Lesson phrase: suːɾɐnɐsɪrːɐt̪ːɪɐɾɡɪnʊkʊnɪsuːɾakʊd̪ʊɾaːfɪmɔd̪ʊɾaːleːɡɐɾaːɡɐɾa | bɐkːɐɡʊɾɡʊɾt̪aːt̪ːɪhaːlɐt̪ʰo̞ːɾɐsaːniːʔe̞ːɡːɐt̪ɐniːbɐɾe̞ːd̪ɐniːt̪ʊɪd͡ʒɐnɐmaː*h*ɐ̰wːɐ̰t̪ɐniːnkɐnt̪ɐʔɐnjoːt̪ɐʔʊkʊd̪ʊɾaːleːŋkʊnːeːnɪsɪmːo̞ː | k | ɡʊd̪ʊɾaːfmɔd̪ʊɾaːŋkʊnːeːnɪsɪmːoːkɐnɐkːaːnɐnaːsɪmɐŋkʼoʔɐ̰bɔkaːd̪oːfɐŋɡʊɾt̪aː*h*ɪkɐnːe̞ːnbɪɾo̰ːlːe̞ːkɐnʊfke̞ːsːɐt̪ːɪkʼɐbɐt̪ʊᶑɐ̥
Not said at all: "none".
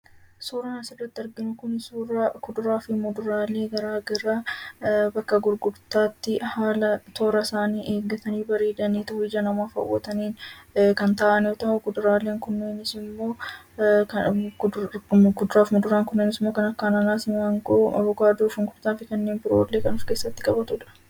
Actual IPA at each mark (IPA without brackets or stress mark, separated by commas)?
f, f